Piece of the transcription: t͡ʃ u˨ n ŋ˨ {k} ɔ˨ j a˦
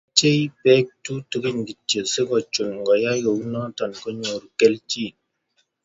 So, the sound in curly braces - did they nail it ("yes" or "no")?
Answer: no